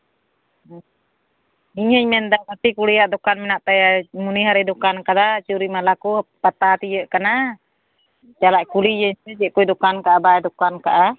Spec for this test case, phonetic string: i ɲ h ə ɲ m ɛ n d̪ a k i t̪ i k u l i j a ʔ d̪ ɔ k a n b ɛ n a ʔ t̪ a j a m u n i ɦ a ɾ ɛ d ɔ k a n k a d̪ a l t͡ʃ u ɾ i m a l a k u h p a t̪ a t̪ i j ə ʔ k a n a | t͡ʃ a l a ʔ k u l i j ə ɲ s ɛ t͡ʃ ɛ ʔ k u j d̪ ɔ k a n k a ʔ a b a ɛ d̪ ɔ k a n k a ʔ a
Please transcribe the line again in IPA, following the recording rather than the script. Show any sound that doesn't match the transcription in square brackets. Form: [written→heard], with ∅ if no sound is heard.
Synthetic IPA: i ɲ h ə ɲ m ɛ n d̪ a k [i→a] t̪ i k u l i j a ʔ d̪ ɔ k a n [b→m] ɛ n a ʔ t̪ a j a m u n i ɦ a ɾ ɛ d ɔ k a n k a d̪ a [l→∅] t͡ʃ u ɾ i m a l a k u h p a t̪ a t̪ i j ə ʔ k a n a | t͡ʃ a l a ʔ k u l i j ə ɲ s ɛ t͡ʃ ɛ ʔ k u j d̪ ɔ k a n k a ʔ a b a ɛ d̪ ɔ k a n k a ʔ a